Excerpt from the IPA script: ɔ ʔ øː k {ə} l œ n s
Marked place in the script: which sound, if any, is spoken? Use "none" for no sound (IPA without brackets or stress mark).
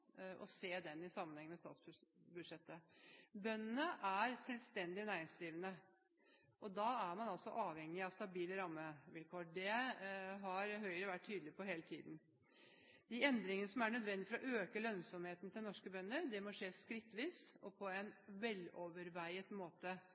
ə